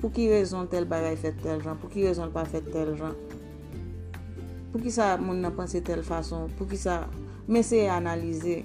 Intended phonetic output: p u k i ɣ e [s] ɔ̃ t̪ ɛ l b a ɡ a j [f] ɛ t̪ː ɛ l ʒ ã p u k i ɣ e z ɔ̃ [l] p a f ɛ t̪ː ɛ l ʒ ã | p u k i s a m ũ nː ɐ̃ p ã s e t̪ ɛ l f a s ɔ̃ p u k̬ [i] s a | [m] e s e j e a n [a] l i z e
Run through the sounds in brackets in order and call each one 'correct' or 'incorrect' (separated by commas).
incorrect, correct, correct, correct, correct, correct